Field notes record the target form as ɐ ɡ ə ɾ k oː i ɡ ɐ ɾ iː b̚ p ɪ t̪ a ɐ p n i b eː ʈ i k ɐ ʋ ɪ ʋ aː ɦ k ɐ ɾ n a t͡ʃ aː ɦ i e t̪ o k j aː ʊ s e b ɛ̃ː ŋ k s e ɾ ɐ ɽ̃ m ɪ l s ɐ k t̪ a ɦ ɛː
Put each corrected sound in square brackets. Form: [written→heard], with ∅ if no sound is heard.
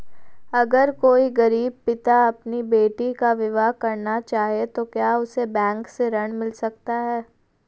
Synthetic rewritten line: ɐ ɡ ə ɾ k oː i ɡ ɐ ɾ iː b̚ p ɪ t̪ a ɐ p n i b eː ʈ i k [ɐ→a] ʋ ɪ ʋ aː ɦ k ɐ ɾ n a t͡ʃ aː ɦ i e t̪ o k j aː ʊ s e b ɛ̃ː ŋ k s e ɾ ɐ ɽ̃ m ɪ l s ɐ k t̪ a ɦ ɛː